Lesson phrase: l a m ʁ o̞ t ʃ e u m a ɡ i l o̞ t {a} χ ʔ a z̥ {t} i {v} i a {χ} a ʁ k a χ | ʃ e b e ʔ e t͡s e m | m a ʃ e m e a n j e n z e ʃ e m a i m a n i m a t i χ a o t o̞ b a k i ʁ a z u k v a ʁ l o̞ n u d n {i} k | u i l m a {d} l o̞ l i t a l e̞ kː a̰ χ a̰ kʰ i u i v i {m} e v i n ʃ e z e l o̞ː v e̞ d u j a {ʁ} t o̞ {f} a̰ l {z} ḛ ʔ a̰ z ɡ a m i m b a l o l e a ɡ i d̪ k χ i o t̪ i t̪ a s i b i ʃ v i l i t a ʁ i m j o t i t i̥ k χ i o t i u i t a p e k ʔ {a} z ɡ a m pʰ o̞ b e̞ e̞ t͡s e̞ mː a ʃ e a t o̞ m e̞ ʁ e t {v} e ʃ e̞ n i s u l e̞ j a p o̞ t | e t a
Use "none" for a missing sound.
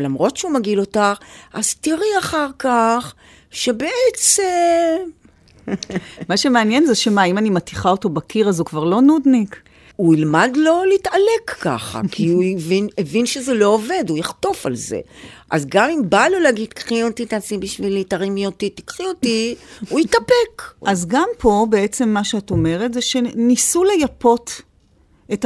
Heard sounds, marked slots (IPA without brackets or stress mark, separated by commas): a, t, ʁ, χ, i, d, n, χ, f, z, a, z